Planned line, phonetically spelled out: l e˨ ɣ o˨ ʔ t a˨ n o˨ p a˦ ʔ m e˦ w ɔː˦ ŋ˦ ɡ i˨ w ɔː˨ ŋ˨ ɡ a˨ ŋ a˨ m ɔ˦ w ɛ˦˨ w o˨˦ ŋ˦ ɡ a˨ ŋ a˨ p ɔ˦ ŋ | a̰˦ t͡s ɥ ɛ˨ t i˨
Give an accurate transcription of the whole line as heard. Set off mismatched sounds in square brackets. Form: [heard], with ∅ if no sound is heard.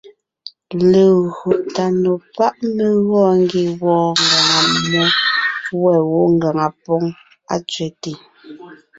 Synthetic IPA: l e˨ ɣ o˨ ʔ t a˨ n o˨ p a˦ ʔ m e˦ [ɣ] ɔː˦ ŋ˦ ɡ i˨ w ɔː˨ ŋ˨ ɡ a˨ ŋ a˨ m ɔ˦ w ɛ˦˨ w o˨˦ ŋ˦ ɡ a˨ ŋ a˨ p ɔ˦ ŋ | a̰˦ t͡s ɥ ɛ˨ t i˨